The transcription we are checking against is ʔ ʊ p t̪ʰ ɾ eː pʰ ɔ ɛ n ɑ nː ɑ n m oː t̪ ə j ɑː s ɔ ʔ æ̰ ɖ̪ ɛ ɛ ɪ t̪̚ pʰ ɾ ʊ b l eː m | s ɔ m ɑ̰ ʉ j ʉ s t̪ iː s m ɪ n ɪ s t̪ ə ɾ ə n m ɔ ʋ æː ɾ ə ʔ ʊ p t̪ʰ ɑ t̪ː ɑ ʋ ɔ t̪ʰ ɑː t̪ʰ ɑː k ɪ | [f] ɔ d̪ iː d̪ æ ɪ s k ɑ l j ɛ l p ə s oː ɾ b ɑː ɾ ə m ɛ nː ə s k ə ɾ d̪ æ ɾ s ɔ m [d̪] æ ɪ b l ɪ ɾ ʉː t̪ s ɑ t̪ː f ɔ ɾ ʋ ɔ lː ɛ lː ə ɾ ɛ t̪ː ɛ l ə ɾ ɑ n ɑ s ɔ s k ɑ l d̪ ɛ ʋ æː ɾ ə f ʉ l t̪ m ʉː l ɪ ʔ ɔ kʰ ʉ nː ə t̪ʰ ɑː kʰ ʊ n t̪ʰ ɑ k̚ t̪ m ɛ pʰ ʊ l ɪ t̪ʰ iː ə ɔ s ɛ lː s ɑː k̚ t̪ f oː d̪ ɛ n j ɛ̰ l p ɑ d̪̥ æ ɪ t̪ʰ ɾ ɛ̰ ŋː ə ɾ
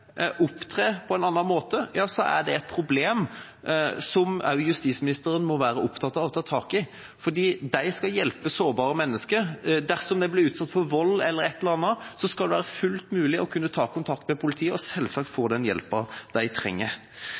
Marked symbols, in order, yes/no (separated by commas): yes, yes